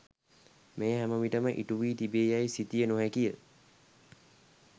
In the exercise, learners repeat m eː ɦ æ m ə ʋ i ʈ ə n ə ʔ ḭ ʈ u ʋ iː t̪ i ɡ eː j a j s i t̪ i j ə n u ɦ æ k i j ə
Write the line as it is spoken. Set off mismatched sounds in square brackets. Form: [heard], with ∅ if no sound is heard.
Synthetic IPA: m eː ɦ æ m ə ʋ i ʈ ə [m] ə ʔ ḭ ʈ u ʋ iː t̪ i [b] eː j a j s i t̪ i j ə n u ɦ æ k i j ə